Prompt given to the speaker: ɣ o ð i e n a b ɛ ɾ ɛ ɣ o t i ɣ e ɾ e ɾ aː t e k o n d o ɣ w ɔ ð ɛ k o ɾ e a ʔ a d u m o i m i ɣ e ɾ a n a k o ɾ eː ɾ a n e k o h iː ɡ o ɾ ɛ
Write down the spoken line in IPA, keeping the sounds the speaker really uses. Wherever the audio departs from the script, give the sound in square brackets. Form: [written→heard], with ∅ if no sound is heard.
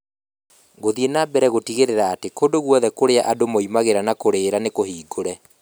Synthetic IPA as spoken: ɣ o ð i e n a b ɛ ɾ ɛ ɣ o t i ɣ e ɾ e ɾ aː t e k o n d o ɣ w ɔ ð ɛ k o ɾ e a ʔ a d [u→o] m o i m [i→a] ɣ e ɾ a n a k o ɾ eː ɾ a n e k o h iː ɡ o ɾ ɛ